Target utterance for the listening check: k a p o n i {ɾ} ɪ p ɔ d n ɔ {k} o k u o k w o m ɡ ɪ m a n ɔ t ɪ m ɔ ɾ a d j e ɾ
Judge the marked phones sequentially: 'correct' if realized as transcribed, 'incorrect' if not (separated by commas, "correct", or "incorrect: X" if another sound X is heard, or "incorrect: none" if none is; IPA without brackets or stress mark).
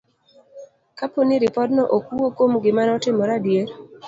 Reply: correct, incorrect: ʔ